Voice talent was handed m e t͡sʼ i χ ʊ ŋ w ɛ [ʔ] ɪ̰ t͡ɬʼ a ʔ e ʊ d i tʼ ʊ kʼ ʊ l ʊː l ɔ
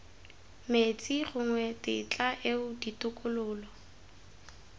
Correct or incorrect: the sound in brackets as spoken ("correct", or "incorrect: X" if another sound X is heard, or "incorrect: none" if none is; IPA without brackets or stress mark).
incorrect: t